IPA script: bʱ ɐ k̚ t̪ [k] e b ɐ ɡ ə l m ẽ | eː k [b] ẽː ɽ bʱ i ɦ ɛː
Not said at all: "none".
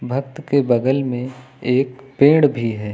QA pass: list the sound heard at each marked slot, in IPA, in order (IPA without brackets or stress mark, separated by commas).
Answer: k, p